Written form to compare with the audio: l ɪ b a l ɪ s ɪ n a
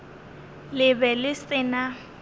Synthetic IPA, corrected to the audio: l ɪ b ɛ l ɪ s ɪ n a